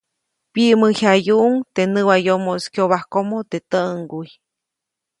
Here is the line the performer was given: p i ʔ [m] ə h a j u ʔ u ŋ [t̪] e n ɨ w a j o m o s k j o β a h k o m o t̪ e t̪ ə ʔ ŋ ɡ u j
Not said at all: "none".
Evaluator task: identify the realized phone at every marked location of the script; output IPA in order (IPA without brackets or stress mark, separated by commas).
m, t̪